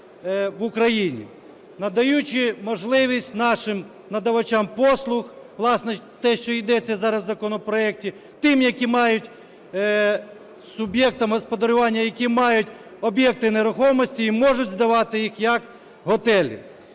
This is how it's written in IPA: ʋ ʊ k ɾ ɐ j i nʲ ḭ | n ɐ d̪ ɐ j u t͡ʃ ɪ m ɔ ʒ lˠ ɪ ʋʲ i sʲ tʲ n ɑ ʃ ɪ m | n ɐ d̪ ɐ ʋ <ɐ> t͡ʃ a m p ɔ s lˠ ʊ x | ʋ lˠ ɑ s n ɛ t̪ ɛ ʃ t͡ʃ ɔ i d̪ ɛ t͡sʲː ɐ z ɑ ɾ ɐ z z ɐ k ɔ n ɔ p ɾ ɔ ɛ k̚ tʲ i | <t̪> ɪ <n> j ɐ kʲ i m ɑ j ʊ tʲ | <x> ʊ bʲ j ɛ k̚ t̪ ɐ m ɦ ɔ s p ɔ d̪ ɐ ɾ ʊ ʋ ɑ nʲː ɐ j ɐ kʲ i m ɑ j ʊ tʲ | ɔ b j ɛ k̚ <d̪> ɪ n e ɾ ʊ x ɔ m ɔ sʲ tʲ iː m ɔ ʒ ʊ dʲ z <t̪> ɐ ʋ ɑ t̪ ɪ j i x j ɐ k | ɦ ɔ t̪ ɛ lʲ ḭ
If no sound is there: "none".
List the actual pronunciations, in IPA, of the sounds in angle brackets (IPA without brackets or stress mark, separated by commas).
ɐ, t̪, m, s, t̪, d̪